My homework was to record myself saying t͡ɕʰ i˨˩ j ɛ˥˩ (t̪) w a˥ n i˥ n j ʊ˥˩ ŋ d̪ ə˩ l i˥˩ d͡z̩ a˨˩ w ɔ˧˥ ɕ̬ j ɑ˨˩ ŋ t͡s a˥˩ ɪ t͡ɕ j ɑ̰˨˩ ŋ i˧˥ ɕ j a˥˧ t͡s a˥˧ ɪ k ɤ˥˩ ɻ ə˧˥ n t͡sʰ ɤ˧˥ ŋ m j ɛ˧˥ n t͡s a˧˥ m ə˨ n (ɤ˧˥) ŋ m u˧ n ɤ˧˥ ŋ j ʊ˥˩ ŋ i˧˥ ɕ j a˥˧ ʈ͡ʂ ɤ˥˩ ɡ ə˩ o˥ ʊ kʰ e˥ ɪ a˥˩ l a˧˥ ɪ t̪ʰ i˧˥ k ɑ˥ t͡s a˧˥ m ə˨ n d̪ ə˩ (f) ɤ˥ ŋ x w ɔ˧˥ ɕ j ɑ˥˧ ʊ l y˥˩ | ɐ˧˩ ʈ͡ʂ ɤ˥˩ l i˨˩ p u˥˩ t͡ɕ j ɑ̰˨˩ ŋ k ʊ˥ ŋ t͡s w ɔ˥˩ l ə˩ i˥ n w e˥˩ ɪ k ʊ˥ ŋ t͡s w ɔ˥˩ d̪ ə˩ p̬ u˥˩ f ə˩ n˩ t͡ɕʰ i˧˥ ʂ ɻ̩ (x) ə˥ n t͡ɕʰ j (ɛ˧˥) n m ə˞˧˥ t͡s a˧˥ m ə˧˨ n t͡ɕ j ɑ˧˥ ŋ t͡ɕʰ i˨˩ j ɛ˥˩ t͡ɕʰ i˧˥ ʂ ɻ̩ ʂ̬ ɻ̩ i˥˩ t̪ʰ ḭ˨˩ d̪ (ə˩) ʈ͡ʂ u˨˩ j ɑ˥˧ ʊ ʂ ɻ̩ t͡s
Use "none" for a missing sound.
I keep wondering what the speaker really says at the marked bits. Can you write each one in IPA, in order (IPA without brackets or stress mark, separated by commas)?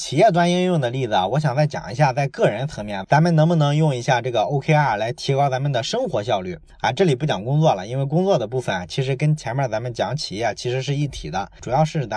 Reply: t̪, ɤ˧˥, ʂ, k, ɛ˧˥, ə˦